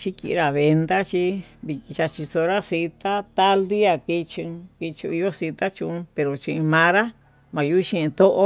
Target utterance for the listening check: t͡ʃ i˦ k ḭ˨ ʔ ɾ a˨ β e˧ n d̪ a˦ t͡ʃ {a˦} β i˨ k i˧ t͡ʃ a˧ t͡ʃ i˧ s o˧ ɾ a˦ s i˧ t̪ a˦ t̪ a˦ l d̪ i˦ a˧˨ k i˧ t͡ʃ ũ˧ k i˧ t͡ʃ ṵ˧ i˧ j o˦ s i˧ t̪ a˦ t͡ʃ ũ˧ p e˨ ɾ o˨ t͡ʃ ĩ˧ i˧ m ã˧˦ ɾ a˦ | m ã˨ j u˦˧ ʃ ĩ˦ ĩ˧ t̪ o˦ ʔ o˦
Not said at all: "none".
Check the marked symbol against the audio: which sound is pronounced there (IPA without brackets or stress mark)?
i˦